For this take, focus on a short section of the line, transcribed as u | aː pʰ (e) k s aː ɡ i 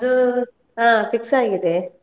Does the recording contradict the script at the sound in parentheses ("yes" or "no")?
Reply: yes